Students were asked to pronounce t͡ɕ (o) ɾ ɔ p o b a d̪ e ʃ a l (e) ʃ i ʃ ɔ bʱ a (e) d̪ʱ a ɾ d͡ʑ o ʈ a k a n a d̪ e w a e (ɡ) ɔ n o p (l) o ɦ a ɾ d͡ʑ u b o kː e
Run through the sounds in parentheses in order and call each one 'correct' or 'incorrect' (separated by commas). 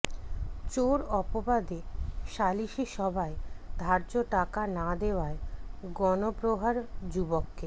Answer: correct, incorrect, correct, correct, incorrect